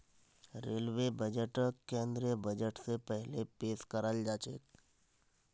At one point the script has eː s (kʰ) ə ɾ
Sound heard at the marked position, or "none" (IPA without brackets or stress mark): k